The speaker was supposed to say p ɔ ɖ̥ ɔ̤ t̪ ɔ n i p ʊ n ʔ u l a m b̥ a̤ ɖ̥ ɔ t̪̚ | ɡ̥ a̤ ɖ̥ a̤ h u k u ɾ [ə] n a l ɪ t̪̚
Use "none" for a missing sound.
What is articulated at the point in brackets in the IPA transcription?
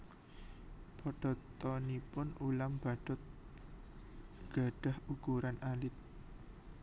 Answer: a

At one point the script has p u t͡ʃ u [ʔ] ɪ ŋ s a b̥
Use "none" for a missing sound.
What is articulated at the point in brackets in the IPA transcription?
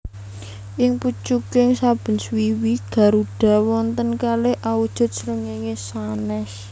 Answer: k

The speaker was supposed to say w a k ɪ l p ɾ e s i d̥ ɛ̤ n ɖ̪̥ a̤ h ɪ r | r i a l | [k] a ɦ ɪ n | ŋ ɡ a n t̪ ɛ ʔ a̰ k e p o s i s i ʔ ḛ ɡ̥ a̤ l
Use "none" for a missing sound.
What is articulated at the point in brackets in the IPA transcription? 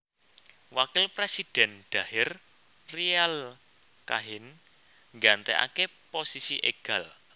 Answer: k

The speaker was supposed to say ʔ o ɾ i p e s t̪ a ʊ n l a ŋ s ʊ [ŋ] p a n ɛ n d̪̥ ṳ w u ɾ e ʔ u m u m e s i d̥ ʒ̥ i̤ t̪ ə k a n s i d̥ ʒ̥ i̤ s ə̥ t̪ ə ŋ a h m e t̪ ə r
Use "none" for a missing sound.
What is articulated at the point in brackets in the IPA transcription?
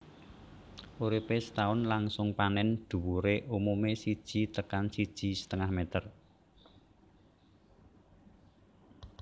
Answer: ŋ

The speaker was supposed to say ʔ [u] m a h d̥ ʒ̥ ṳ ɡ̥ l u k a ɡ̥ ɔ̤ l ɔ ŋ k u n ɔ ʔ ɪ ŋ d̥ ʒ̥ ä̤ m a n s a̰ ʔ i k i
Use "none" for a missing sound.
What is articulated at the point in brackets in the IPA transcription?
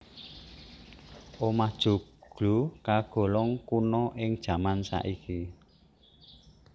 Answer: o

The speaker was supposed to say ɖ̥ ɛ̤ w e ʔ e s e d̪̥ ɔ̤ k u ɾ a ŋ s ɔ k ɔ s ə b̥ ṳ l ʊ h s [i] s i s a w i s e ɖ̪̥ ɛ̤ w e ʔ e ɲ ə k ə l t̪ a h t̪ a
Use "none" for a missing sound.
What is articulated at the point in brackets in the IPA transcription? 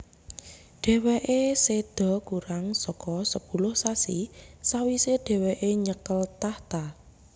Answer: a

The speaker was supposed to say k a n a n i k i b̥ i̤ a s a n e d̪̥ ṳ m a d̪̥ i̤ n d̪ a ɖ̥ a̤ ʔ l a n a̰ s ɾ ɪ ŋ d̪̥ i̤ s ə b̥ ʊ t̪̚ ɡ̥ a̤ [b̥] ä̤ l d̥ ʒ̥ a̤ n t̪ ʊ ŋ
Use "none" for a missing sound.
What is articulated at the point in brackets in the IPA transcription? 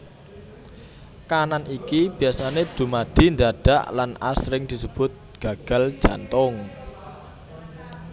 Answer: ɡ̥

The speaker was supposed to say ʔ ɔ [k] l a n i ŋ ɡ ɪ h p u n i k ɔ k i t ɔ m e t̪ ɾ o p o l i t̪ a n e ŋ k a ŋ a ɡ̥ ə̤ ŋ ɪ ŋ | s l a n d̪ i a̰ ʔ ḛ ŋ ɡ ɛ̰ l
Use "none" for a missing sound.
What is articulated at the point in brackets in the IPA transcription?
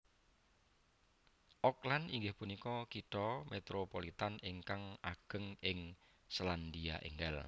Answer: k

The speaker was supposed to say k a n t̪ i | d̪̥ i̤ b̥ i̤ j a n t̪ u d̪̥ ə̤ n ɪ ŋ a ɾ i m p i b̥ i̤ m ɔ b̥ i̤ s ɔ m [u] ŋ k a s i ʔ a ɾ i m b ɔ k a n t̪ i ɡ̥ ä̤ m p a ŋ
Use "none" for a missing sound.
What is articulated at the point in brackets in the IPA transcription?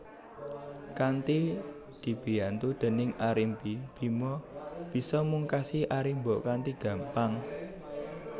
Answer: u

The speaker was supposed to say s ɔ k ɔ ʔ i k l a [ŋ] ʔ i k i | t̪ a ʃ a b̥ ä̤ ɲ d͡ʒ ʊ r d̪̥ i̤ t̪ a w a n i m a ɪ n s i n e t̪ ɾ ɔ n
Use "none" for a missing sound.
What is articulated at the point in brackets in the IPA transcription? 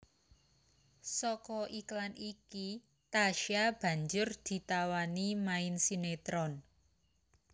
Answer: n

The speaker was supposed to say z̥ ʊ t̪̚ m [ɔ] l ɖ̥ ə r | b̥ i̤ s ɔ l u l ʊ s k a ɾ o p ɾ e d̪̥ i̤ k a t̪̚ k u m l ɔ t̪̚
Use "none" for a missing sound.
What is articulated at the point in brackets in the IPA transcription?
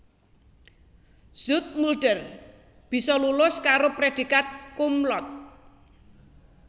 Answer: u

